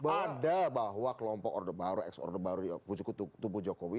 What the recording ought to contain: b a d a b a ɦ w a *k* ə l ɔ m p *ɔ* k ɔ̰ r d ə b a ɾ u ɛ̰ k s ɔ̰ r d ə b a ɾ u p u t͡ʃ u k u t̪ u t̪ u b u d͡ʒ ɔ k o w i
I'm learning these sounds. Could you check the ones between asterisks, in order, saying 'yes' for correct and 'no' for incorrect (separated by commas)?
yes, yes